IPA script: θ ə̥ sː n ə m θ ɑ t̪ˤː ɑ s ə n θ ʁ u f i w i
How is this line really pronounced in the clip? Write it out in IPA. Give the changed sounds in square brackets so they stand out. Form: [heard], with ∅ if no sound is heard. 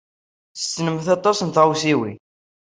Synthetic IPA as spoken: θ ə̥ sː n ə m θ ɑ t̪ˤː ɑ s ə n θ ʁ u [s] i w i